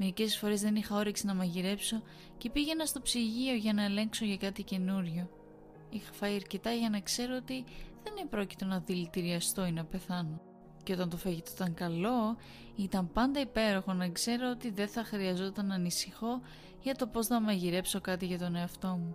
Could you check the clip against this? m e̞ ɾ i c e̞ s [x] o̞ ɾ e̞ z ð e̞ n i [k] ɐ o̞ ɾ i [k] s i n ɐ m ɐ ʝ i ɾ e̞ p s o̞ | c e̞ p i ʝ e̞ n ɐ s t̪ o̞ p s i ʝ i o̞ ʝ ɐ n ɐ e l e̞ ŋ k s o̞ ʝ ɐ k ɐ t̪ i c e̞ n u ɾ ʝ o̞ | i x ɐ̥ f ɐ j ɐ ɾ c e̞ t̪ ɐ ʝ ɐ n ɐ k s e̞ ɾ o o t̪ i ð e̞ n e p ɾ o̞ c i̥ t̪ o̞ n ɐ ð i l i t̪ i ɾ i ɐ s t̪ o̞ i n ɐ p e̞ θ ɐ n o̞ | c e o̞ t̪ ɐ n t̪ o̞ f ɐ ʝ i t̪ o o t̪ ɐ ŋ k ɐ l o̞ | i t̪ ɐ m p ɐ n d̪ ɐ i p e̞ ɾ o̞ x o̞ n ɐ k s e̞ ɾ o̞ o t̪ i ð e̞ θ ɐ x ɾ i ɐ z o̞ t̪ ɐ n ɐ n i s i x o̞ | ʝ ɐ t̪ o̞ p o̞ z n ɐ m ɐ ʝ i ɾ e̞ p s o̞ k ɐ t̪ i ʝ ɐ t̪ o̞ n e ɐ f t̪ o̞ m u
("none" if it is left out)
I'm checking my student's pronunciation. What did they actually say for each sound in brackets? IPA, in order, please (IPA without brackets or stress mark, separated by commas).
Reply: f, x, k